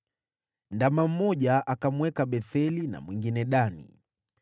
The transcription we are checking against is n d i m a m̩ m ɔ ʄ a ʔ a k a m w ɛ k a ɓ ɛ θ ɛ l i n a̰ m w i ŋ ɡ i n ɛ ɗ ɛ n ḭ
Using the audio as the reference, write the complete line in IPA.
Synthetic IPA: n d a m a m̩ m ɔ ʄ a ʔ a k a m w ɛ k a ɓ ɛ θ ɛ l i n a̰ m w i ŋ ɡ i n ɛ ɗ a n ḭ